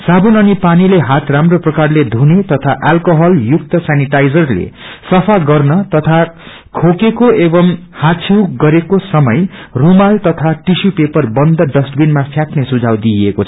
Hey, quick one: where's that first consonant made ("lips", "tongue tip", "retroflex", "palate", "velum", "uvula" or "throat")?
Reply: tongue tip